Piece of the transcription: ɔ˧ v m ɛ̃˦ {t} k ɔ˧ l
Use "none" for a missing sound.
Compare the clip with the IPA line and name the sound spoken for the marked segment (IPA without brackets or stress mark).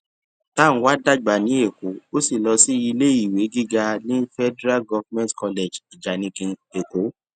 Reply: t